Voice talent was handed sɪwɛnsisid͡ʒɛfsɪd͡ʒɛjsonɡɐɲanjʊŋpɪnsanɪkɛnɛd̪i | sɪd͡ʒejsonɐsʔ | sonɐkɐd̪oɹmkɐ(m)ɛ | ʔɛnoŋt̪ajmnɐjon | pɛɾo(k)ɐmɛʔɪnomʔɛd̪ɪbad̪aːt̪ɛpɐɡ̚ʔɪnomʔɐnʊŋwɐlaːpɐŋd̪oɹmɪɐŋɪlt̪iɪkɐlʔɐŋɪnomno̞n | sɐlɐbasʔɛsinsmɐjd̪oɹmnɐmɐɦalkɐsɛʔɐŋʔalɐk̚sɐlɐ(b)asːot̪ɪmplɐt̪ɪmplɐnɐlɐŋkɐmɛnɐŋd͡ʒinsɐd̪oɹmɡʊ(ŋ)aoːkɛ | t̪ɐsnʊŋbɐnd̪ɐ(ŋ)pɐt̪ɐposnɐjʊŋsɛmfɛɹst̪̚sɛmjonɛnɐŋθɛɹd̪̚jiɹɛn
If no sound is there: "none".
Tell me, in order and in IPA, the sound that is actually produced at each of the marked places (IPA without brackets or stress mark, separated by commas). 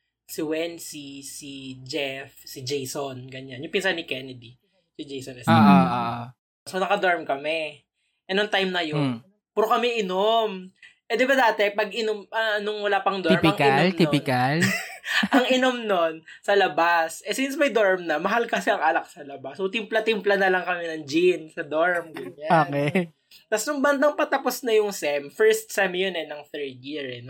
m, k, b, ɲ, ŋ